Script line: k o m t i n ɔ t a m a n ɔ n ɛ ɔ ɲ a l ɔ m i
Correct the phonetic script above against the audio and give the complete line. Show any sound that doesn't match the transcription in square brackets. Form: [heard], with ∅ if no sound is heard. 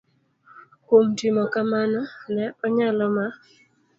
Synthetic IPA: k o m t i [m] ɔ [k] a m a n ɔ n ɛ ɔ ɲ a l ɔ m [a]